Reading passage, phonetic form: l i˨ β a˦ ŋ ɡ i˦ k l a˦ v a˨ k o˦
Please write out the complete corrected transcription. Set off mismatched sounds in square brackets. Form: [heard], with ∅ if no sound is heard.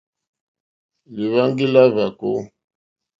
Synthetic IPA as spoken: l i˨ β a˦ ŋ ɡ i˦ [∅] l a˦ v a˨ k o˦